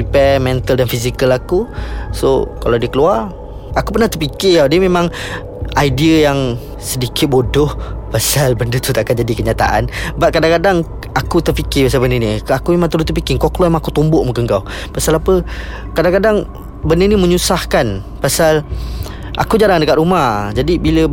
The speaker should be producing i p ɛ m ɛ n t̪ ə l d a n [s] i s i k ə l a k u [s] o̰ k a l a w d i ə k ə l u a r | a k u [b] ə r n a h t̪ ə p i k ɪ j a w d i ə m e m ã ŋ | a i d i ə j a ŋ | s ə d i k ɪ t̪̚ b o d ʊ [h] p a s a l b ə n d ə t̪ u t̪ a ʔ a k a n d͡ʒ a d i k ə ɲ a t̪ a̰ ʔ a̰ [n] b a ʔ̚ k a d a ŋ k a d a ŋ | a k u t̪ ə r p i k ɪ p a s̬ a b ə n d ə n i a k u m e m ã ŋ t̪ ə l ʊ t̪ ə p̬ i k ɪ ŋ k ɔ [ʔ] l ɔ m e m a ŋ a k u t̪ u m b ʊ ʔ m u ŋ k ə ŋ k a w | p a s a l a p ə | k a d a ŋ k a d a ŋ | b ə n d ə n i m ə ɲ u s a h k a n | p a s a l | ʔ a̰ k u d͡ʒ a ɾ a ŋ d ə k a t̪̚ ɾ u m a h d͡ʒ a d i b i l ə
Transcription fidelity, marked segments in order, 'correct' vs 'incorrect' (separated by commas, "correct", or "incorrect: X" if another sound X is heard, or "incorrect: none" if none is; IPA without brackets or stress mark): incorrect: f, correct, incorrect: p, correct, correct, incorrect: k